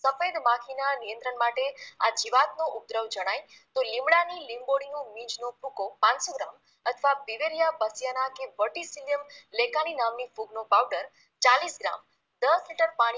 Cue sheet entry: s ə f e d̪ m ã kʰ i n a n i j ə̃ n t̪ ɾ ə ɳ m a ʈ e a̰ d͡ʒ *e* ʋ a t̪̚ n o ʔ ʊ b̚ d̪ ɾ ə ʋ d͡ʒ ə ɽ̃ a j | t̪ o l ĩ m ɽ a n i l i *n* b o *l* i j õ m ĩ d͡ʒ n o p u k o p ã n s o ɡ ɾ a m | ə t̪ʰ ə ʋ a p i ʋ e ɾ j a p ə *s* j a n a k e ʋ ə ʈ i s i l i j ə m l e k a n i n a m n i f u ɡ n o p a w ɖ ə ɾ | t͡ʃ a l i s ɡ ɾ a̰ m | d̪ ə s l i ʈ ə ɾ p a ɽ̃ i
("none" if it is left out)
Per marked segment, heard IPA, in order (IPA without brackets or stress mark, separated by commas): i, m, ɽ, s